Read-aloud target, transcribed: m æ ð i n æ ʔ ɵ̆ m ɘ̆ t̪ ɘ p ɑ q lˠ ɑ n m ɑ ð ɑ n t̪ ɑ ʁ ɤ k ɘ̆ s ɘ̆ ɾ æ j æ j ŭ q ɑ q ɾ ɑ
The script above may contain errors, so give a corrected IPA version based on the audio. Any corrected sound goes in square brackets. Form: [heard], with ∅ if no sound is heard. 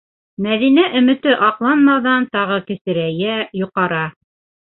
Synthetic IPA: m æ ð i n æ ʔ ɵ̆ m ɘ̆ t̪ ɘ [ʔ] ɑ q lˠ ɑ n m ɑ ð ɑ n t̪ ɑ ʁ ɤ k ɘ̆ s ɘ̆ ɾ æ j æ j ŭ q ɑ [∅] ɾ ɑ

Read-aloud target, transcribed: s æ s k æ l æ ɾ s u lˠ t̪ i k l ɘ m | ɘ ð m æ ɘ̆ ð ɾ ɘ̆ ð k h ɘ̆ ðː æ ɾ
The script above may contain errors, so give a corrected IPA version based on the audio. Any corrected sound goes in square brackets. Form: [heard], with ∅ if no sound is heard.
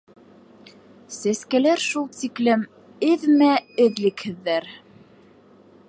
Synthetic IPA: s æ s k æ l æ ɾ [ʃ] u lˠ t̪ i k l ɘ m | ɘ ð m æ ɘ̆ ð [l] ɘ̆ [∅] k h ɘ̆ ðː æ ɾ

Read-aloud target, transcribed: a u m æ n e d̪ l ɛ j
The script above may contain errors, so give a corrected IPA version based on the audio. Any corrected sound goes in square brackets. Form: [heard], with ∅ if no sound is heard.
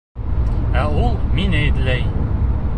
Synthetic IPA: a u m [i] n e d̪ l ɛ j

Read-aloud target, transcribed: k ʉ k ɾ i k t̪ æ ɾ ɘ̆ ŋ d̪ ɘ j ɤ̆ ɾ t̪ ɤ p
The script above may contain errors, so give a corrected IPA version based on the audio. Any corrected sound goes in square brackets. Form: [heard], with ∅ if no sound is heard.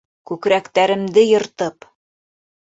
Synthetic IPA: k ʉ k ɾ [æ] k t̪ æ ɾ ɘ̆ [m] d̪ ɘ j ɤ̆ ɾ t̪ ɤ p

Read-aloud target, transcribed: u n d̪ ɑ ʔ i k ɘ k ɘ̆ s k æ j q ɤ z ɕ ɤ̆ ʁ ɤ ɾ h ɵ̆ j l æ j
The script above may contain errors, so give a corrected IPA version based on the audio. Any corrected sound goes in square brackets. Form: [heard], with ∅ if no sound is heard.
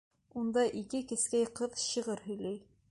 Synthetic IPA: u n d̪ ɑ ʔ i k ɘ k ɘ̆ s k æ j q ɤ [ð] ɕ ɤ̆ ʁ ɤ ɾ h ɵ̆ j l æ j

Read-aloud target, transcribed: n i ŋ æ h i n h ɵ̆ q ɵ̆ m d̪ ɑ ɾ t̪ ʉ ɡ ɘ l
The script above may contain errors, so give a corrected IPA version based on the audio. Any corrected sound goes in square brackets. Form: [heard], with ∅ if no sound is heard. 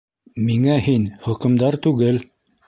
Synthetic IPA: [m] i ŋ æ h i n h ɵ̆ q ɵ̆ m d̪ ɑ ɾ t̪ ʉ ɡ ɘ l

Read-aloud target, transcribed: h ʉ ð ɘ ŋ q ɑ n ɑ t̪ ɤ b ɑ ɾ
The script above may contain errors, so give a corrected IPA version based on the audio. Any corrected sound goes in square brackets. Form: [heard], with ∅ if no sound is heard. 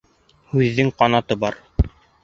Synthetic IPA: h ʉ [ðː] ɘ ŋ q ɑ n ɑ t̪ ɤ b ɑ ɾ

